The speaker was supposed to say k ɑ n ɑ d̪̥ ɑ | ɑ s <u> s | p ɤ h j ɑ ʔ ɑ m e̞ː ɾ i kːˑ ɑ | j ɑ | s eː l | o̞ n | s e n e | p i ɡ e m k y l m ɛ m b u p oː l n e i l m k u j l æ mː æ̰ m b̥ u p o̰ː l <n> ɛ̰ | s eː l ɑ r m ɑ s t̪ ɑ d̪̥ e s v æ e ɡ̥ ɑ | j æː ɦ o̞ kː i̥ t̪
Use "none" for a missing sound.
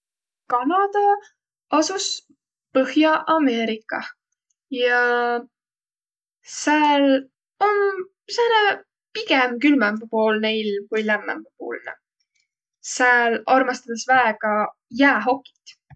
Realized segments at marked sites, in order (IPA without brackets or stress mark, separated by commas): u, n